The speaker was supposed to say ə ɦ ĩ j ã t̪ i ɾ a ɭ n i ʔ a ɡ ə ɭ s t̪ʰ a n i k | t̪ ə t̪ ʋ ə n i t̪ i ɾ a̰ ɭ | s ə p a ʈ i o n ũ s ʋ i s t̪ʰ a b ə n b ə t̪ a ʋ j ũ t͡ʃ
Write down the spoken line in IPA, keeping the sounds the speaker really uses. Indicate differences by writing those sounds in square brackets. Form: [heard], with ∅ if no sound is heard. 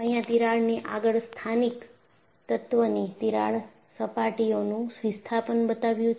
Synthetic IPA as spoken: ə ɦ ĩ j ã t̪ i ɾ a ɭ n i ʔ a ɡ ə ɭ s t̪ʰ a n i k | t̪ ə t̪ ʋ ə n i t̪ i ɾ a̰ ɭ | s ə p a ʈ i o n ũ s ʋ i s t̪ʰ a [p] ə n b ə t̪ a ʋ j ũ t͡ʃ